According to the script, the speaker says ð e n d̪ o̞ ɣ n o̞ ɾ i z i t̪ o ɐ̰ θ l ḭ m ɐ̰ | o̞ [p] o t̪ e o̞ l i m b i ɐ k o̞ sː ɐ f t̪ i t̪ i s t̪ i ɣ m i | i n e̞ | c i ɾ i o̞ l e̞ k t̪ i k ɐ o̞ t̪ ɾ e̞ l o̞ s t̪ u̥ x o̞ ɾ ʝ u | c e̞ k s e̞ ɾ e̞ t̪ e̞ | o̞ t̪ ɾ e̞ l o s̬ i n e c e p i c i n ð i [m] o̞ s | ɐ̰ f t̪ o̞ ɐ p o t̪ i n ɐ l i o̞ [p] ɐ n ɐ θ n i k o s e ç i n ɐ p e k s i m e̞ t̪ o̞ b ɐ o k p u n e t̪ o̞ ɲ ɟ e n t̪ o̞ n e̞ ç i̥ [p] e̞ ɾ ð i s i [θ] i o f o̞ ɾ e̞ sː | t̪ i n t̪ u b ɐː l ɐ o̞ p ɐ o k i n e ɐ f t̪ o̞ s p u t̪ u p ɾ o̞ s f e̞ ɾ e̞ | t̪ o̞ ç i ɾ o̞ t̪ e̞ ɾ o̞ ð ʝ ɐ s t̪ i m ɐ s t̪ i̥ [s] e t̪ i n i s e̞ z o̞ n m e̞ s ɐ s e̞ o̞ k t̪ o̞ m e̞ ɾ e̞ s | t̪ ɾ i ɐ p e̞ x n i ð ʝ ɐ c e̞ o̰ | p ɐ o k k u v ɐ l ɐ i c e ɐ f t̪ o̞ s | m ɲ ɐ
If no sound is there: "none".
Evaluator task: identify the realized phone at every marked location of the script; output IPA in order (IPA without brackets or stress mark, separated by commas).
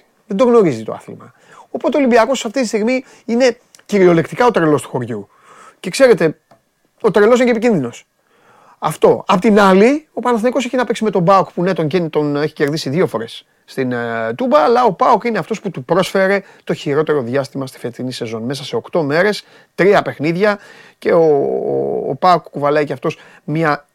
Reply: p, n, p, c, ð, f